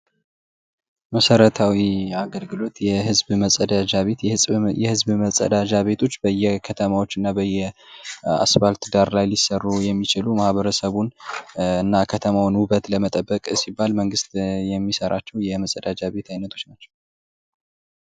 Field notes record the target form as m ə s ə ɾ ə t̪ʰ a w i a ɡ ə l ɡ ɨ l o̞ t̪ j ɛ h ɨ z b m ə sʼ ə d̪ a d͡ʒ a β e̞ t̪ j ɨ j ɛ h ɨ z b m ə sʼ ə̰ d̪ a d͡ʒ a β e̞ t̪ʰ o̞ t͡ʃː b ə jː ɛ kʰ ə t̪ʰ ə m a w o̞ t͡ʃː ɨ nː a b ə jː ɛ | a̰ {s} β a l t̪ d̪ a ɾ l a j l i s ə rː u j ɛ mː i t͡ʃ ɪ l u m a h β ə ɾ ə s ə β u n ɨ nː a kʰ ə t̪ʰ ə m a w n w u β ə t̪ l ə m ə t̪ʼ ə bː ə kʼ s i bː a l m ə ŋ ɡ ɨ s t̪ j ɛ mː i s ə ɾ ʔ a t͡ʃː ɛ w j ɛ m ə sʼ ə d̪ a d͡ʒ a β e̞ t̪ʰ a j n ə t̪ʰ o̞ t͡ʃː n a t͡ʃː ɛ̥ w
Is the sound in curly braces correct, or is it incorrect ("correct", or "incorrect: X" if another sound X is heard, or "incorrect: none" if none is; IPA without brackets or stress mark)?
correct